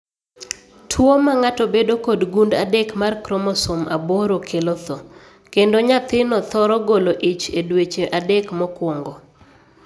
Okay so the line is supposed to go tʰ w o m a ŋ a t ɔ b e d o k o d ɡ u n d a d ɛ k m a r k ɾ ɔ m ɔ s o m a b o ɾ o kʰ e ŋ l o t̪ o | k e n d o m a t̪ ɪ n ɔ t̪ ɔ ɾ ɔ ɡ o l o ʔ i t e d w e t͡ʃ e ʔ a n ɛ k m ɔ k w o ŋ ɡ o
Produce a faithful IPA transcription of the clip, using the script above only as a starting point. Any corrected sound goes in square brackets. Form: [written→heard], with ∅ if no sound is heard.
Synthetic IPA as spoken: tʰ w o m a ŋ a t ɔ b e d o k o d ɡ u n d a d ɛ k m a r k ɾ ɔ m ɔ s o m a b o ɾ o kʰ e [ŋ→∅] l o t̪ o | k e n d o [m→ɲ] a t̪ ɪ n ɔ t̪ ɔ ɾ ɔ ɡ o l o ʔ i [t→t͡ʃ] e d w e t͡ʃ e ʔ a [n→d] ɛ k m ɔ k w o ŋ ɡ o